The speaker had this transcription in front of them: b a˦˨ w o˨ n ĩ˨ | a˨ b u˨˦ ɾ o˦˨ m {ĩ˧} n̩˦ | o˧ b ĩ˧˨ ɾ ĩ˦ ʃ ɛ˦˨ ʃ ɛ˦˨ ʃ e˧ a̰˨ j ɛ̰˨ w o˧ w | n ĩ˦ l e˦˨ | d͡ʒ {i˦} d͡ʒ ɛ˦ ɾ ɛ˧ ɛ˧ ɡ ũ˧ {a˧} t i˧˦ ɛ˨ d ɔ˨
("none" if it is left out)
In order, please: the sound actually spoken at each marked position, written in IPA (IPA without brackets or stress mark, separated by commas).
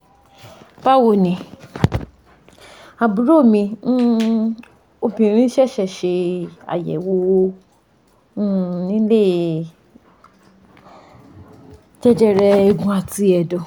ĩ˧, ɛ˦, a˧